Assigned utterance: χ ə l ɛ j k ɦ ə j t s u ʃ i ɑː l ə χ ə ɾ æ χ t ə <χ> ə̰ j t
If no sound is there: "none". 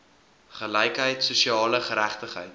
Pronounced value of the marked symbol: χ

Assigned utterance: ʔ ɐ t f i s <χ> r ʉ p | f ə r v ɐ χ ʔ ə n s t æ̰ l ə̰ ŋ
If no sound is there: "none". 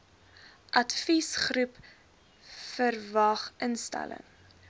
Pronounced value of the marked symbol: χ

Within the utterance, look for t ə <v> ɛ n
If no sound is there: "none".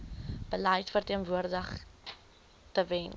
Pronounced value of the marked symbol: v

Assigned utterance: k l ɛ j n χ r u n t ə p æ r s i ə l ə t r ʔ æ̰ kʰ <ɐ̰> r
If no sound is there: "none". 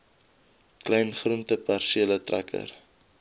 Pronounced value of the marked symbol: ə̰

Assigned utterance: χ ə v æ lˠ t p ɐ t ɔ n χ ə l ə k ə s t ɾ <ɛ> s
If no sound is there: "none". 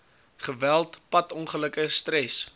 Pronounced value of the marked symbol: ɛ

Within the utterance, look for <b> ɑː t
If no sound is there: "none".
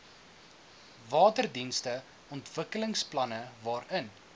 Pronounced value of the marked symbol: v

